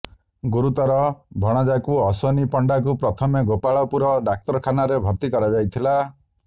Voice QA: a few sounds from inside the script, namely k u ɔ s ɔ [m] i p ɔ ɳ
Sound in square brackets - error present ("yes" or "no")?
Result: yes